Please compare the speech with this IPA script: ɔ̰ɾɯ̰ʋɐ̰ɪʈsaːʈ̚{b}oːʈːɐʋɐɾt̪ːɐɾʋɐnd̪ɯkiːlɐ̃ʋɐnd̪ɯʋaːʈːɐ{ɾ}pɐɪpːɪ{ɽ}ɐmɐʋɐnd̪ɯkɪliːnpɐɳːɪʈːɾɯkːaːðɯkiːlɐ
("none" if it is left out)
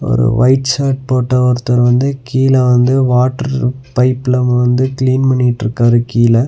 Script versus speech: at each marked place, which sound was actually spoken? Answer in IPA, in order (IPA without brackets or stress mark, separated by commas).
p, ɾ, l